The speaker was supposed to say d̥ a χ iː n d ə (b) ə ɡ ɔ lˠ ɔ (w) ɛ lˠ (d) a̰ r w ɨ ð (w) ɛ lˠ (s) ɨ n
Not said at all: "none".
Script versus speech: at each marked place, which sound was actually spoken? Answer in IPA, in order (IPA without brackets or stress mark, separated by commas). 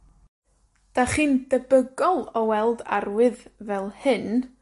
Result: b, w, d, v, h